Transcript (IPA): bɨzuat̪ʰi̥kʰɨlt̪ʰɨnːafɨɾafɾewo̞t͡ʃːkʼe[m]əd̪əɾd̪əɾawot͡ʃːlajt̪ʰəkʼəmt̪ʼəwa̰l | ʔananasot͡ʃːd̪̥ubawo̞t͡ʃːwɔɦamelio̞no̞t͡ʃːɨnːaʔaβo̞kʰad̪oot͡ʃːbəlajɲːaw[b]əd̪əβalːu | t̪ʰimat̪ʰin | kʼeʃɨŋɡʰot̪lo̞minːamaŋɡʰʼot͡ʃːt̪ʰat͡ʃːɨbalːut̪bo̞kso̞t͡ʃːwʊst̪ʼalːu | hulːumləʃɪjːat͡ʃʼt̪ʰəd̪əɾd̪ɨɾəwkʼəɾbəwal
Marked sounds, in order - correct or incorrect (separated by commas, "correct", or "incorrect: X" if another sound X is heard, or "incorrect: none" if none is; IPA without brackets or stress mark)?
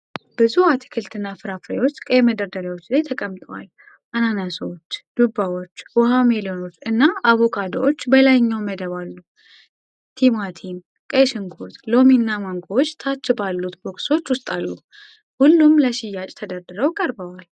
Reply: correct, incorrect: m